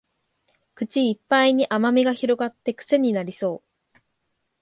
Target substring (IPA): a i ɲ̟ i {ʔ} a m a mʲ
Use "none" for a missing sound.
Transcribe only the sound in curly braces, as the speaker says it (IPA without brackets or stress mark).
ʔ